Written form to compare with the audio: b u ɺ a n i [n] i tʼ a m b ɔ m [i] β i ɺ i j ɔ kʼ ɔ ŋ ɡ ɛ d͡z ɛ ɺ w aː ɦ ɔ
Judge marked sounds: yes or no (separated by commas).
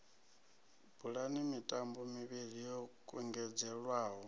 no, yes